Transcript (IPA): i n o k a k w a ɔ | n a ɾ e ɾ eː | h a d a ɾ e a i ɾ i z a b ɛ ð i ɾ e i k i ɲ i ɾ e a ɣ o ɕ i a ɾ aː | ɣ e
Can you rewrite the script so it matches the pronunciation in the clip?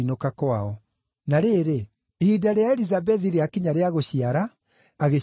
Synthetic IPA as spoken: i n o k a k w a ɔ | n a ɾ e ɾ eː | h i d a ɾ e a ɛ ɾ i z a b ɛ ð i ɾ e a k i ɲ a ɾ e a ɣ o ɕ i a ɾ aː | ɣ e